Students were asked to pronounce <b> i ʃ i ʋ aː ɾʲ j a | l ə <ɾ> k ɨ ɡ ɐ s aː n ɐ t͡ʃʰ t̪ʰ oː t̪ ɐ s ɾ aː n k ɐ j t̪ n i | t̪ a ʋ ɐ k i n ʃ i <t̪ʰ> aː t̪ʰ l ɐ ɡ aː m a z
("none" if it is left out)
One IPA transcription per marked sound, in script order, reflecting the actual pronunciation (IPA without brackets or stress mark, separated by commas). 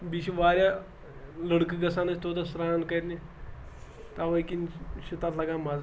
b, ɽ, t̪